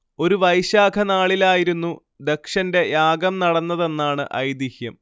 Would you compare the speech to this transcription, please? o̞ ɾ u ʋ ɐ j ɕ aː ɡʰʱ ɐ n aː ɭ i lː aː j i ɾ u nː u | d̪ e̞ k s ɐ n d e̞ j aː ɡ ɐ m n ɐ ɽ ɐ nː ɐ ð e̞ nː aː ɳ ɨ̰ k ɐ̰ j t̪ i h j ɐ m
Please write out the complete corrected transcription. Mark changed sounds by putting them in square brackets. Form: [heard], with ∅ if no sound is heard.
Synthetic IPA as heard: o̞ ɾ u ʋ ɐ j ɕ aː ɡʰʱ ɐ n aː ɭ i [l] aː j i ɾ u nː u | d̪ e̞ k [ʂ] ɐ n d e̞ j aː ɡ ɐ m n ɐ ɽ ɐ nː ɐ ð e̞ nː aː ɳ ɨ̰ [ʔ] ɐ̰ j [d̪] i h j ɐ m